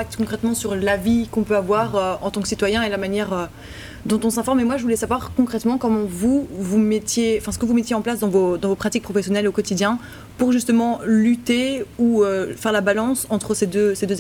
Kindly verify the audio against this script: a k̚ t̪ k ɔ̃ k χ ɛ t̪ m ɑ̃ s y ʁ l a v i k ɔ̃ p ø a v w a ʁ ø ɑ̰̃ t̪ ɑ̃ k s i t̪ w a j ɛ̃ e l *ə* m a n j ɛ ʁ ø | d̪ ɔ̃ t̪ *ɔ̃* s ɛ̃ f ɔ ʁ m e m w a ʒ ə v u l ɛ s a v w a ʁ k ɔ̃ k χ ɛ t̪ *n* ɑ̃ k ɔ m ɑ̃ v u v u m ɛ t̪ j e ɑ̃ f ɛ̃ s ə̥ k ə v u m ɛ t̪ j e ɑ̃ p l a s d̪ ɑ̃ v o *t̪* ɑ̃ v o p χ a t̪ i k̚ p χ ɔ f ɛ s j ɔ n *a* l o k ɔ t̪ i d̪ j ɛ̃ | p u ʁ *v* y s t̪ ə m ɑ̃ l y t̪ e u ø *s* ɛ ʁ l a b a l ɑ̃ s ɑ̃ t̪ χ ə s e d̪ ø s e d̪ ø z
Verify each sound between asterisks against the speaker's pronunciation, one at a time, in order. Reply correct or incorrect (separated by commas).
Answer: incorrect, correct, incorrect, incorrect, incorrect, incorrect, incorrect